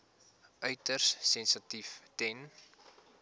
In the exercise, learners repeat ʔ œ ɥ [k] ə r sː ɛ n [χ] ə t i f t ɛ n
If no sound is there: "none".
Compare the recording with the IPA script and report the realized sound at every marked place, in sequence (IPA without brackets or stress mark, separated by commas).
t, s